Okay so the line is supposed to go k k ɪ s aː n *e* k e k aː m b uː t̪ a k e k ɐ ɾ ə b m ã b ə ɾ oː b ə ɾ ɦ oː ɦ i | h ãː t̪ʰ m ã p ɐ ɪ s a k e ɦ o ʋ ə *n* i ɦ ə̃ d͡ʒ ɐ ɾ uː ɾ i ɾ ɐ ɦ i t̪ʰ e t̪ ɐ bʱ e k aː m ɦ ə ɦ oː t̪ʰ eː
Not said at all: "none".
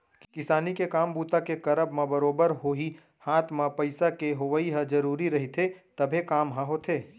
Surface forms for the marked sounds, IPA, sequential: i, none

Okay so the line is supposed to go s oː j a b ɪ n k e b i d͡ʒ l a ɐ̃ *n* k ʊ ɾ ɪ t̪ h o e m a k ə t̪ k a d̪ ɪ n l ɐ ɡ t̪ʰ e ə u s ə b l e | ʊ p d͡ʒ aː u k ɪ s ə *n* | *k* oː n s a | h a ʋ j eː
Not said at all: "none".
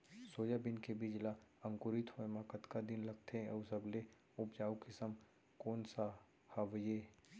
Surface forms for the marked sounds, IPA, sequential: ŋ, m, k

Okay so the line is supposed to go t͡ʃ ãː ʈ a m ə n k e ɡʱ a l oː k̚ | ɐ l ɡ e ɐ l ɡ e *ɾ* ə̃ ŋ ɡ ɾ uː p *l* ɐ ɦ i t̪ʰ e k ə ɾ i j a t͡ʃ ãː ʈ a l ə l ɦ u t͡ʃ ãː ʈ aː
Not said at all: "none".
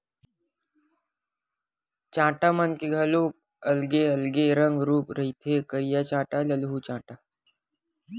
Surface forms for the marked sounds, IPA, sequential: ɾ, ɾ

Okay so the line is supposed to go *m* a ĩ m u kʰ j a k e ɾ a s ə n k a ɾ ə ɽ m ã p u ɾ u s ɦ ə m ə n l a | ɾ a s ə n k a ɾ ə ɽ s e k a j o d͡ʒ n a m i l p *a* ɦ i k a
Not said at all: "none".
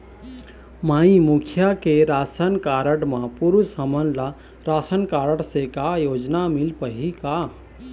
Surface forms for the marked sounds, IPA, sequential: m, ə

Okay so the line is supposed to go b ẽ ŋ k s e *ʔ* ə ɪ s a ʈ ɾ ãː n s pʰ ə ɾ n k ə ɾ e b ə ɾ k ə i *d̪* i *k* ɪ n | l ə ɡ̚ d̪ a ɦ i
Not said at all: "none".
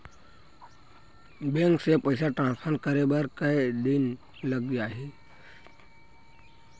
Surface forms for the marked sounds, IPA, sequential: p, d̪, none

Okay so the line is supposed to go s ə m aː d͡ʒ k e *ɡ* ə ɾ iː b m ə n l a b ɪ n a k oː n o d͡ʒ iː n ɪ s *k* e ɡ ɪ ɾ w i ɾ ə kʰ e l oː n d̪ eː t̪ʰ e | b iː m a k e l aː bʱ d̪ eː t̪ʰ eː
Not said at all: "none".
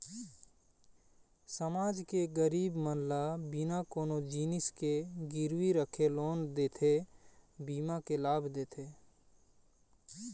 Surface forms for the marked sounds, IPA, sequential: ɡ, k

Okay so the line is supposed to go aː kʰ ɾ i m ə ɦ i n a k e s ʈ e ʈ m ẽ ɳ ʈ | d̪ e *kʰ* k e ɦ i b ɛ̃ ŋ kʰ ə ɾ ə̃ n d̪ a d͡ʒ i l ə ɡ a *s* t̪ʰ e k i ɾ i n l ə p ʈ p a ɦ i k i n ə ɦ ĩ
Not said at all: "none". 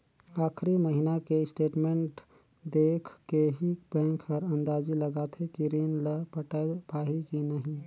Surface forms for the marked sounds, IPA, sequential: kʰ, none

